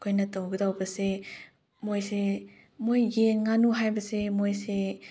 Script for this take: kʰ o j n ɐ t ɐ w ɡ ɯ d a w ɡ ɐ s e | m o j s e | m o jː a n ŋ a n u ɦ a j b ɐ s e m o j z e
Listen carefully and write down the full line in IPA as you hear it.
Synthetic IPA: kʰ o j n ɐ t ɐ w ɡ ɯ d a w b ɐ s e | m o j s e | m o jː e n ŋ a n u ɦ a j b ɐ s e m o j s e